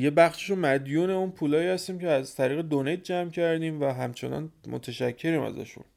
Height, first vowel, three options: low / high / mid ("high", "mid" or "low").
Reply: mid